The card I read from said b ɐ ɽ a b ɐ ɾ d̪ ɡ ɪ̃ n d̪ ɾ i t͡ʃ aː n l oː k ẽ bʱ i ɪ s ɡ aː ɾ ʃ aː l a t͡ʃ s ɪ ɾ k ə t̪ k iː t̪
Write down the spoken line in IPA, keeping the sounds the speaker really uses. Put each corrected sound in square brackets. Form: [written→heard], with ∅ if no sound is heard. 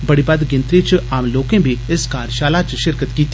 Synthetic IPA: b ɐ ɽ [a→i] b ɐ [ɾ→∅] d̪ ɡ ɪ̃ n [d̪→t̪] ɾ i t͡ʃ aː [n→m] l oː k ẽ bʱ i ɪ s [ɡ→k] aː ɾ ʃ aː l a t͡ʃ [s→ʃ] ɪ ɾ k ə t̪ k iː t̪